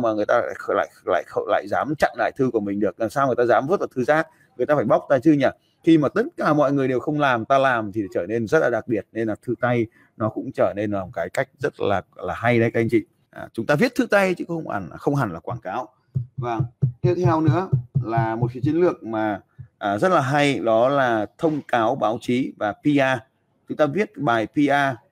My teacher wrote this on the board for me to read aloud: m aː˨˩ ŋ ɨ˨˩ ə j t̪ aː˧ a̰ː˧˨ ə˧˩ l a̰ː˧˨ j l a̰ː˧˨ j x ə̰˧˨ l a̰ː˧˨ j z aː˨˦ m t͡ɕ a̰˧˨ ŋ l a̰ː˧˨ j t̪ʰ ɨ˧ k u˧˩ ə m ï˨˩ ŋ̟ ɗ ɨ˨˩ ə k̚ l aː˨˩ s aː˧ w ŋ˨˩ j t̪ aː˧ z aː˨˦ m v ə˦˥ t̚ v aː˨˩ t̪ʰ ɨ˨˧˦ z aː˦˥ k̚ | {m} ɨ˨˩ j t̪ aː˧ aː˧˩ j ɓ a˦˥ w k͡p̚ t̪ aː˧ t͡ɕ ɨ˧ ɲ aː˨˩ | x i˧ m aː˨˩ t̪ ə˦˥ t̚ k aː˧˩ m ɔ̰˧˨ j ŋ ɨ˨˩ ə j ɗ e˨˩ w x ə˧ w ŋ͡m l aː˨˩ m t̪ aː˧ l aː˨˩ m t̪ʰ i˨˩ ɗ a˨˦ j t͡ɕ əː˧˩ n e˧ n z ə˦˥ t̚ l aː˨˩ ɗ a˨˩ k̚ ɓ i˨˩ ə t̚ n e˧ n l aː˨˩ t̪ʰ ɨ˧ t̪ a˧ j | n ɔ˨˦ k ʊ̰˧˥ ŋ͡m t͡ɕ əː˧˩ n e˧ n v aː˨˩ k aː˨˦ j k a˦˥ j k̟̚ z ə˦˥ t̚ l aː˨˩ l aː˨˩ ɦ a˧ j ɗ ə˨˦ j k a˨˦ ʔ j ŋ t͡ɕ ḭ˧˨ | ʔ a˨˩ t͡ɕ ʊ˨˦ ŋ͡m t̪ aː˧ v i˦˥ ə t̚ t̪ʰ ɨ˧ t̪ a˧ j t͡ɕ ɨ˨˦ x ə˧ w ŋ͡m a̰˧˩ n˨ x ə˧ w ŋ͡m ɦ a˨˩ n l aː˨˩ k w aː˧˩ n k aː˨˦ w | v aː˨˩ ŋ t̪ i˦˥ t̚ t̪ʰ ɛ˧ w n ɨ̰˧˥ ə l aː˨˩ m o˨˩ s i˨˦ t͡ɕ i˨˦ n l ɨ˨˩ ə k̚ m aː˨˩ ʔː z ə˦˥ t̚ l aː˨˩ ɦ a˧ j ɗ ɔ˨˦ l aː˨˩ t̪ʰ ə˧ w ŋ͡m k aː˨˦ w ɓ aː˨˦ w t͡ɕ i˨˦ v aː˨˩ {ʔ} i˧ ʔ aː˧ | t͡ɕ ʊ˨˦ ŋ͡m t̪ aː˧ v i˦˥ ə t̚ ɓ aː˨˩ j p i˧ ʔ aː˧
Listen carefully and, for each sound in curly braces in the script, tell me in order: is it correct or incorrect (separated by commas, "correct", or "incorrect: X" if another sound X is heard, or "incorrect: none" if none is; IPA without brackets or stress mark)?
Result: incorrect: ŋ, incorrect: p